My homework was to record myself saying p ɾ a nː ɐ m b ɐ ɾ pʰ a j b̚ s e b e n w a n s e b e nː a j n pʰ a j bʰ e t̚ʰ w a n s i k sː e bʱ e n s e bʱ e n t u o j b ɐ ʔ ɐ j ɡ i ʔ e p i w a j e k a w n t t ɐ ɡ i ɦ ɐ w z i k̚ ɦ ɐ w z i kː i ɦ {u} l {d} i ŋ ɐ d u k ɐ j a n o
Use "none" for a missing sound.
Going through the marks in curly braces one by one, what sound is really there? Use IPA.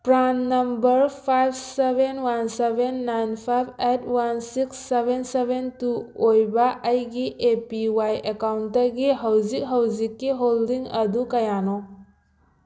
o, d

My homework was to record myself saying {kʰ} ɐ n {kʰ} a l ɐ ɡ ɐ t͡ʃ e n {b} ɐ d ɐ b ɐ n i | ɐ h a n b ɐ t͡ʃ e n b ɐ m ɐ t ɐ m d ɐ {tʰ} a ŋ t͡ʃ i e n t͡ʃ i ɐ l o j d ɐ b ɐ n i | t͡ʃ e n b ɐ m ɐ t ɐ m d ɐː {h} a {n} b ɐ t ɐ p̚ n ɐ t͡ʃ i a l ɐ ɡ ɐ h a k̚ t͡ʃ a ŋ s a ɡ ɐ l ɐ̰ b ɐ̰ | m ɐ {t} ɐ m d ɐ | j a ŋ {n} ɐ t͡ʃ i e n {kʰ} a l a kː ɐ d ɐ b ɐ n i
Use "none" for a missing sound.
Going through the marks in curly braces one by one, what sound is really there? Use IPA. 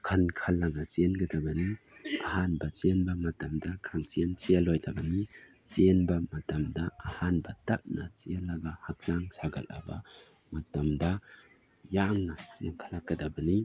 kʰ, kʰ, ɡ, kʰ, h, n, t, n, kʰ

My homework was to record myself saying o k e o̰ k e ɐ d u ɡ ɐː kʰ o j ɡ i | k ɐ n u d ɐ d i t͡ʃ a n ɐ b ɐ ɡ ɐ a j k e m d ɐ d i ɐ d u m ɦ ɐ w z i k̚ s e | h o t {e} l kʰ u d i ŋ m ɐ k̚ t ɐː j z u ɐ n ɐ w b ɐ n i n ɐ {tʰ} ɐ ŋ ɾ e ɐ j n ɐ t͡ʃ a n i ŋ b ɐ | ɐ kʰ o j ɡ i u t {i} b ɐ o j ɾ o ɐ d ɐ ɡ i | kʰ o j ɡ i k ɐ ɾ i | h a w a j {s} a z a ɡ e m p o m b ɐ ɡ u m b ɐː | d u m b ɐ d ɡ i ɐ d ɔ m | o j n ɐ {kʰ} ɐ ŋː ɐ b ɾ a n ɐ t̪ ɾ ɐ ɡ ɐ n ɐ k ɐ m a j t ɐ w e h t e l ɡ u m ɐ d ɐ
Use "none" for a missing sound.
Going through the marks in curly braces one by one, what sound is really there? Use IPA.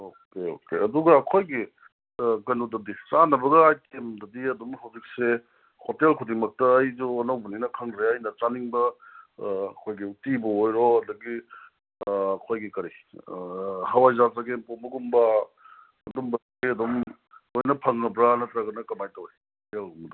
e, kʰ, i, z, pʰ

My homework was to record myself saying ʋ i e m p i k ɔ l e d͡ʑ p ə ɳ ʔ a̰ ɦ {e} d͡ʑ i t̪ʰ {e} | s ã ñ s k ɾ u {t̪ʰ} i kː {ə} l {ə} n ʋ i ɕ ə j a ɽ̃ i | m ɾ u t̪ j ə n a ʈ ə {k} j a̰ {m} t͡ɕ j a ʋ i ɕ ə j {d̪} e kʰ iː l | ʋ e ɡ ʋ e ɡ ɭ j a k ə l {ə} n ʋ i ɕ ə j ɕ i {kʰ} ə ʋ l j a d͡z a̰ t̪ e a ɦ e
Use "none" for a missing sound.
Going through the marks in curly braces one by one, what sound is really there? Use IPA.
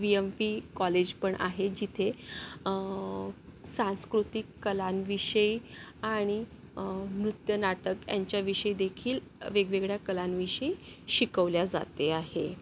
e, e, t̪, ə, a, k, ɲ, d̪, a, k

